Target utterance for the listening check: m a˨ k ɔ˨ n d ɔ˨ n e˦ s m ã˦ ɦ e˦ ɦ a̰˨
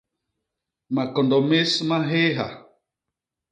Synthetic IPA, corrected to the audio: m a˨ k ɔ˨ n d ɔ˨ m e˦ s m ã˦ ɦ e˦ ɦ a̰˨